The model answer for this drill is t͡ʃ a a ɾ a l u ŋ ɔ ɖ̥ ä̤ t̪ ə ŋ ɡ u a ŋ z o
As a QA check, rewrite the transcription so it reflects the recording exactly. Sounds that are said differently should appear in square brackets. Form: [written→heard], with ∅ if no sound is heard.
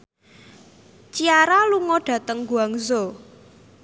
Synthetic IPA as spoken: t͡ʃ [a→i] a ɾ a l u ŋ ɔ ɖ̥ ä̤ t̪ ə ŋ ɡ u a ŋ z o